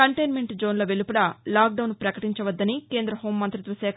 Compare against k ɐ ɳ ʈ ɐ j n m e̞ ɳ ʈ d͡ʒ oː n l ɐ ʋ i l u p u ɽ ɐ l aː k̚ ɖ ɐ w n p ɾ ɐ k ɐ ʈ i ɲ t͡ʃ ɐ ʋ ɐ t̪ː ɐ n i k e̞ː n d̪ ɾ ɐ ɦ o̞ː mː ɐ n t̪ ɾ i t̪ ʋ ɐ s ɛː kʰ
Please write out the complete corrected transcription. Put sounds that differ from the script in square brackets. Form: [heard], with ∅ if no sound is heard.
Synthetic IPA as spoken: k ɐ ɳ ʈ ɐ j n m e̞ ɳ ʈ d͡ʒ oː n l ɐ ʋ [e] l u p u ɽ ɐ l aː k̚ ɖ ɐ w n p ɾ ɐ k ɐ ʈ i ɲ t͡ʃ ɐ ʋ ɐ [d̪ː] ɐ n i k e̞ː n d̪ ɾ ɐ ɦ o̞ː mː ɐ n t̪ ɾ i t̪ ʋ ɐ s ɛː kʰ